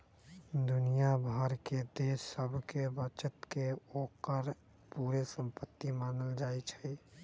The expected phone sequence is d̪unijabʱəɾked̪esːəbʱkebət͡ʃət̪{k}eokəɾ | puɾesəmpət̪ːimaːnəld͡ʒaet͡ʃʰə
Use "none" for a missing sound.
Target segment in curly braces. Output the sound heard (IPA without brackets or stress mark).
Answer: k